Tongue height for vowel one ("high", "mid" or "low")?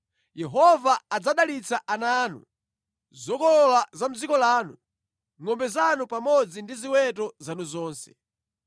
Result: mid